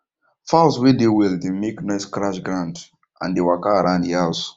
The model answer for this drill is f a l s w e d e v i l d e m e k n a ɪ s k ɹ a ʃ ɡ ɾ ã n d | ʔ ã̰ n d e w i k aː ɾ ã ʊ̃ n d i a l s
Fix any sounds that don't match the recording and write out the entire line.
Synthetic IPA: f a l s w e d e w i l d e m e k n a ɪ s k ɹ a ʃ ɡ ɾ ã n d | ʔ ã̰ n d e w a k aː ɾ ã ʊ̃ n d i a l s